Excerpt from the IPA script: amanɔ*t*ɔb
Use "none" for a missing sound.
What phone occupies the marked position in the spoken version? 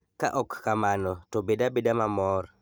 t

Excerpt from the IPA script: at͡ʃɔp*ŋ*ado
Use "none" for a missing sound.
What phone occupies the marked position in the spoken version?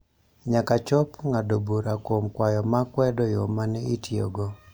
ŋ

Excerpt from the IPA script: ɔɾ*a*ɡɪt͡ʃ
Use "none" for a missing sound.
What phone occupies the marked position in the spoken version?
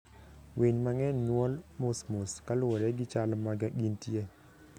ɛ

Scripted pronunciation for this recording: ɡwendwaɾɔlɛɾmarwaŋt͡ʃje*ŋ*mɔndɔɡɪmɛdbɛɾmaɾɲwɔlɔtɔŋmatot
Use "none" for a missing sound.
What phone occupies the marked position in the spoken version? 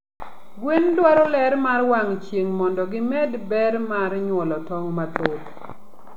ŋ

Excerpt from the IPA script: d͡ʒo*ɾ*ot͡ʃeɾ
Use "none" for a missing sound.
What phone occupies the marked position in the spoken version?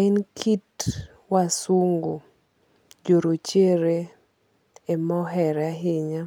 ɾ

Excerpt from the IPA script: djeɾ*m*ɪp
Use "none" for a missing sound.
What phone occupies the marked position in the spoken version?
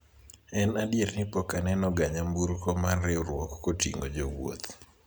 n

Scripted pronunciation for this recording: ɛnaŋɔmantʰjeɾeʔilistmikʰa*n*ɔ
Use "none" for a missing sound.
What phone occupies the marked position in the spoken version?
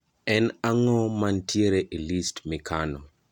n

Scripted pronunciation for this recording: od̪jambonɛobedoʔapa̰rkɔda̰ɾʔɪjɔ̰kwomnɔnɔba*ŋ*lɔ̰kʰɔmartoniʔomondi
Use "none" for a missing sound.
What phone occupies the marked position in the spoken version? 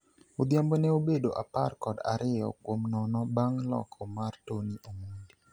ŋ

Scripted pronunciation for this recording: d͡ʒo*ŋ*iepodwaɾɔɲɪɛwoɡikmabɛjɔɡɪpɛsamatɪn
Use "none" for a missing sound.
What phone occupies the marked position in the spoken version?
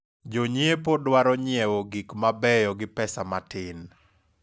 ɲ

